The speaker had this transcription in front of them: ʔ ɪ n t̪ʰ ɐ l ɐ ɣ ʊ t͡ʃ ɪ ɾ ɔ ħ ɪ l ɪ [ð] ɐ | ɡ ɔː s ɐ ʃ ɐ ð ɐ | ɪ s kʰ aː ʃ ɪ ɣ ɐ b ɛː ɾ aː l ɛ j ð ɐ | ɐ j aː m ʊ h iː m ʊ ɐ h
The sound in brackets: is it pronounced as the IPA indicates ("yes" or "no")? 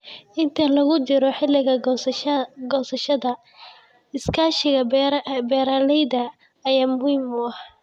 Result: no